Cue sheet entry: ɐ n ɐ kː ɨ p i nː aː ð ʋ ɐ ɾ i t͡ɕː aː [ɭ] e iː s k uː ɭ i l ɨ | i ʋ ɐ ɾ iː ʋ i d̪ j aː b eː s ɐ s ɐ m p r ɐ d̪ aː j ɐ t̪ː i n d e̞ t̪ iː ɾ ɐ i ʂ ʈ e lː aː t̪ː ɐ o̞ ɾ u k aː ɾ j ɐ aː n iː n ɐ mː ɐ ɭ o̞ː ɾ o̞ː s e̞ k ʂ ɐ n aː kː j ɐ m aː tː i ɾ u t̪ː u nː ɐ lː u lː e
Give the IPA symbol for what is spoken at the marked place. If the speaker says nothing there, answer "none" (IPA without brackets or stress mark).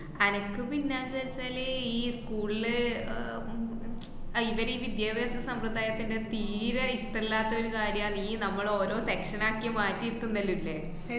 l